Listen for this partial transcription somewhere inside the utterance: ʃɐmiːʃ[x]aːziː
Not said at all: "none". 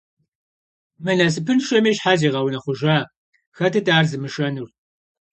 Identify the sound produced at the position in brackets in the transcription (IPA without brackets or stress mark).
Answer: ħ